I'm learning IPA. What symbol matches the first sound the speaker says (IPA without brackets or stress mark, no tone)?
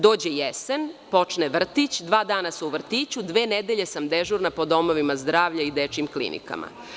d̪